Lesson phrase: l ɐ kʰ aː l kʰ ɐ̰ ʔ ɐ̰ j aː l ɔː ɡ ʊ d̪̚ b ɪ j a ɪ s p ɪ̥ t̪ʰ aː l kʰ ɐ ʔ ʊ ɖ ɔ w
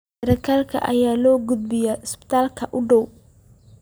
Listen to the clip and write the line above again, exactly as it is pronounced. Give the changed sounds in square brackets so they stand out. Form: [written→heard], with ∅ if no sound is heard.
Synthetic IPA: [l→ɾ] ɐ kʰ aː l kʰ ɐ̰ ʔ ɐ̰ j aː l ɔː ɡ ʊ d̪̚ b ɪ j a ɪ s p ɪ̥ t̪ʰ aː l kʰ ɐ ʔ ʊ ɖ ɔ w